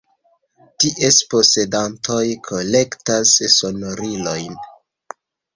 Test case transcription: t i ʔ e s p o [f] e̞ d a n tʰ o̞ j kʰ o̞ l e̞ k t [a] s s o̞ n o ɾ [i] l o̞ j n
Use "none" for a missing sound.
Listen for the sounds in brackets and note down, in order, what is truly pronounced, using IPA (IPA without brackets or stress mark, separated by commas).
s, a, i